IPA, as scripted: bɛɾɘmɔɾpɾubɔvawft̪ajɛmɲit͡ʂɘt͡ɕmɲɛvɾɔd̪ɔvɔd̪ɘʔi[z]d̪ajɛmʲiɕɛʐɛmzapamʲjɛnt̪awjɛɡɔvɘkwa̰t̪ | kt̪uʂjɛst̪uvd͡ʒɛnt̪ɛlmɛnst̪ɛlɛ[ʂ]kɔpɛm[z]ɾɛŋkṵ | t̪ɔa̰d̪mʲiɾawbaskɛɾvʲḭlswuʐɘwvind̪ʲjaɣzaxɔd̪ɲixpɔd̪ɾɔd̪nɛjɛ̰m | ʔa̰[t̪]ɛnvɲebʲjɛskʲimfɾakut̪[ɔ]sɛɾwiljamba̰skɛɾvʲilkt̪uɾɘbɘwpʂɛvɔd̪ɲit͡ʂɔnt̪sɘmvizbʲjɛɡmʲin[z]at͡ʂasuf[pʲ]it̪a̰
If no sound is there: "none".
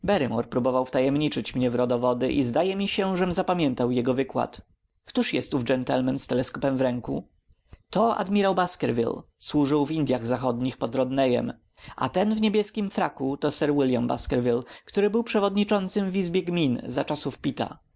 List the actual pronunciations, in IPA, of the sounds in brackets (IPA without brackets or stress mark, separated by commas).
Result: z, s, v, t̪, ɔ, z, pʲ